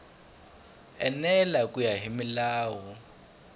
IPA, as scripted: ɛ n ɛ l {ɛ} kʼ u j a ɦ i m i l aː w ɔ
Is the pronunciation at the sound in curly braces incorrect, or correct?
incorrect